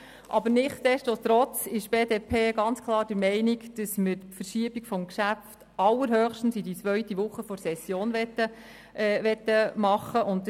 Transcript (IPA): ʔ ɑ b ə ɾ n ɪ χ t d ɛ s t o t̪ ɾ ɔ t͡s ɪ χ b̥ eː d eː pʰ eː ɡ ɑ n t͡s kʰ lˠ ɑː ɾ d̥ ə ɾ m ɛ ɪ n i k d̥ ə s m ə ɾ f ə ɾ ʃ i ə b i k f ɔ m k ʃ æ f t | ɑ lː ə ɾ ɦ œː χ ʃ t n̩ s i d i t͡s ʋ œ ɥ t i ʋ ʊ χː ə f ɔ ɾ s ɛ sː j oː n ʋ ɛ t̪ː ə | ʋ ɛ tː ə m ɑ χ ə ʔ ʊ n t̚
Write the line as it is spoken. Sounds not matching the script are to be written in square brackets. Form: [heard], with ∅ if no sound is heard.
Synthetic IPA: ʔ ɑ b ə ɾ n ɪ χ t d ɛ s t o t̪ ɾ ɔ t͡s ɪ [ʃ] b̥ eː d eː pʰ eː ɡ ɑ n t͡s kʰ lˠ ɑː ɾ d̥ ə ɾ m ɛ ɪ n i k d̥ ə s m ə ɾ f ə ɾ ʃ i ə b i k f ɔ m k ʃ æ f t | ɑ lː ə ɾ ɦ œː χ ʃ t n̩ s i d i t͡s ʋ œ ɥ t i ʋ ʊ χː ə f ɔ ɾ s ɛ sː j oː n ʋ ɛ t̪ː ə | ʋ ɛ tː ə m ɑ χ ə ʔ ʊ n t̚